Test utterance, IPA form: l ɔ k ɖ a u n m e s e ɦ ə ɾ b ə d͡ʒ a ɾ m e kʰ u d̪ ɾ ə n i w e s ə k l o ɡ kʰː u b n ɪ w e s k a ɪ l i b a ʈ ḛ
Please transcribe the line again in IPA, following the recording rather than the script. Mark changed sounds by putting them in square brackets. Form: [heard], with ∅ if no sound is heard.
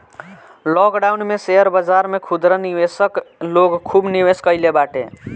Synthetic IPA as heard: l ɔ k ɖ a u n m e s e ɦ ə ɾ b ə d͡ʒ a ɾ m e kʰ u d̪ ɾ ə n i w e s ə k l o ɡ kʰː u b n [i] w e s k [ə] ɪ l [e] b a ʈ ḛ